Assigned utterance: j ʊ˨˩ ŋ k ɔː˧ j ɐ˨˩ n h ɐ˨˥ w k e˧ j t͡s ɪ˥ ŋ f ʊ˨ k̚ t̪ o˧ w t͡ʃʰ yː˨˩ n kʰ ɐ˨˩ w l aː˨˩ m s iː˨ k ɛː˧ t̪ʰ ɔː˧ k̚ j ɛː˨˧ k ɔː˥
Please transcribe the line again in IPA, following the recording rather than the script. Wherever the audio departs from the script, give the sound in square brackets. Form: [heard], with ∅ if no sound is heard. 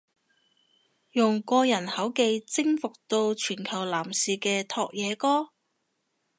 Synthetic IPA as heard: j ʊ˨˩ ŋ k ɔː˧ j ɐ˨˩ n h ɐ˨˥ w k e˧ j t͡s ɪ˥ ŋ f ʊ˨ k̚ t̪ o˧ w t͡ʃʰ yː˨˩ n kʰ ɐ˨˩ w l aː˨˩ m s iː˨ k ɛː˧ t̪ʰ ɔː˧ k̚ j ɛː˨˧ k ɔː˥